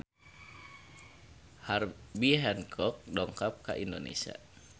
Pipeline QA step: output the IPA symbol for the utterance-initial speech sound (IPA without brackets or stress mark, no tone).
h